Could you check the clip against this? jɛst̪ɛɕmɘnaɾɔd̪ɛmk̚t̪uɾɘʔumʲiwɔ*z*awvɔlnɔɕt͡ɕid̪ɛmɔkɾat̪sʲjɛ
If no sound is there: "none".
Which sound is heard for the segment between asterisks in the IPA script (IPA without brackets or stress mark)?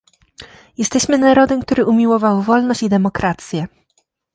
v